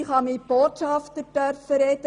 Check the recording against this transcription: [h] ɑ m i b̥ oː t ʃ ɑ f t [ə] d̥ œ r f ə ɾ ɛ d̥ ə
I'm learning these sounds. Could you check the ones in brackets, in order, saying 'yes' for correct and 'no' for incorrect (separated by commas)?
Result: no, yes